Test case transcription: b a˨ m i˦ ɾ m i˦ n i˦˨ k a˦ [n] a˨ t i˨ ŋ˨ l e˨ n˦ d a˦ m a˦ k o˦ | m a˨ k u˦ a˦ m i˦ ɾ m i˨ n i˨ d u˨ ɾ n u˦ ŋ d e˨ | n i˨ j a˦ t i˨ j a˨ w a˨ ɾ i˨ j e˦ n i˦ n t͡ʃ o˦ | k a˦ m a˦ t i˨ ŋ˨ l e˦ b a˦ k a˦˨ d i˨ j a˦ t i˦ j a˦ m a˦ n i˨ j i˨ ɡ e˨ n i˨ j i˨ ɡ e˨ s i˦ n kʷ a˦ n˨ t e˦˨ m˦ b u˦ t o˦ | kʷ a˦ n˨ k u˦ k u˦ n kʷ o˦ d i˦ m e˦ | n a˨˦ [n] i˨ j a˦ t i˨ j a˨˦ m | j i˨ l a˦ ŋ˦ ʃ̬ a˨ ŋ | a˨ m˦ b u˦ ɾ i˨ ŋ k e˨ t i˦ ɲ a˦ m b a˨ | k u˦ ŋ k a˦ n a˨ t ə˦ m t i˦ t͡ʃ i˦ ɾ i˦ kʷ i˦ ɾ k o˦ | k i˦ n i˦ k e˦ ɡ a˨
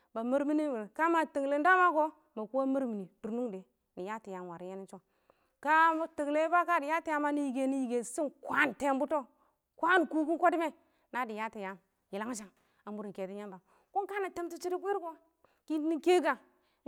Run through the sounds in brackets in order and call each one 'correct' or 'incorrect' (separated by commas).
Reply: incorrect, incorrect